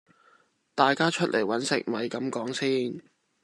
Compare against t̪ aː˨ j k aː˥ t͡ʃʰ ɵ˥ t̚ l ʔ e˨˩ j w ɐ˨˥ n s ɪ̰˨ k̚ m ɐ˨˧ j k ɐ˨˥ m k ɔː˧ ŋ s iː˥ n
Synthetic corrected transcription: t̪ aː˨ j k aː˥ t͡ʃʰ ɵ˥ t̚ l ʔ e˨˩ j w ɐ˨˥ n s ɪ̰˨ k̚ m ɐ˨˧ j k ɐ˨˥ m k ɔː˨˥ ŋ s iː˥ n